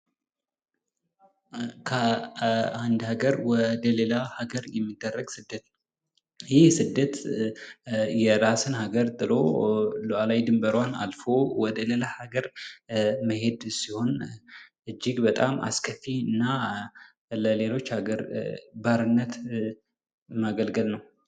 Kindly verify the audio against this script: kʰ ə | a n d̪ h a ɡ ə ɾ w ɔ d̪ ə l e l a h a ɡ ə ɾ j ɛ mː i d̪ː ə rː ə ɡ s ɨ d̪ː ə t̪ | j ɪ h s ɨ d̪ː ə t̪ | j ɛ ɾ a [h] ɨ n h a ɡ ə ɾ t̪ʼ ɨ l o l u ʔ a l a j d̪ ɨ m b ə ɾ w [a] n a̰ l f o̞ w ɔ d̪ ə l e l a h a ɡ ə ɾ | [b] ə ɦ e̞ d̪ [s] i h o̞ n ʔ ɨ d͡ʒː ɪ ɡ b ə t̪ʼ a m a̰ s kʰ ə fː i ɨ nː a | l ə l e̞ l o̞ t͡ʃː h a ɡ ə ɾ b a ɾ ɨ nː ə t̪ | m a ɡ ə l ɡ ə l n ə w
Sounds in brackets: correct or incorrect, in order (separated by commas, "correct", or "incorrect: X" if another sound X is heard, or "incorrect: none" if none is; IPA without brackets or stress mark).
incorrect: s, correct, incorrect: m, correct